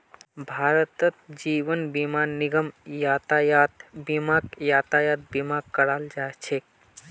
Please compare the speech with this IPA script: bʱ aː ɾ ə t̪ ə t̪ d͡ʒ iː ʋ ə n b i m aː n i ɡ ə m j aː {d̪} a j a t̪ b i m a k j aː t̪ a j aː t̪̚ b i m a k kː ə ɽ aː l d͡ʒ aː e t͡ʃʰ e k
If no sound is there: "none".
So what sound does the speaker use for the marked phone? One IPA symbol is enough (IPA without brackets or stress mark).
t̪